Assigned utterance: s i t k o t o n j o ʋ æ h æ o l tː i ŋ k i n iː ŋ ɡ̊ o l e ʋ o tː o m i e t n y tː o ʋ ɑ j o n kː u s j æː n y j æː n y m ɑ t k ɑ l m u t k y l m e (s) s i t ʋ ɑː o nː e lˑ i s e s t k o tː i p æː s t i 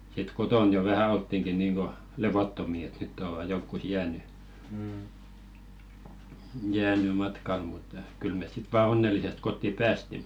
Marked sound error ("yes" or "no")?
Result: no